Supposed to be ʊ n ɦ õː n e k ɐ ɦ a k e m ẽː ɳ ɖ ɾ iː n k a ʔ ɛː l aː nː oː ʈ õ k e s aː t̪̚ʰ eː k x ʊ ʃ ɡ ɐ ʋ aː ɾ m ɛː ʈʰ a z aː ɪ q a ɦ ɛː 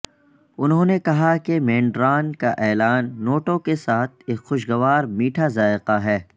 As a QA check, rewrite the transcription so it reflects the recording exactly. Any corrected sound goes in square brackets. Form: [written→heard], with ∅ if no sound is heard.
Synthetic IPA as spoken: ʊ n ɦ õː n e k ɐ ɦ a k e m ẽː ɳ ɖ ɾ [iː→aː] n k a ʔ ɛː l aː nː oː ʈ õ k e s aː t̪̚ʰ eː k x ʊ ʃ ɡ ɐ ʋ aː ɾ m [ɛː→iː] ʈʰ a z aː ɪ q a ɦ ɛː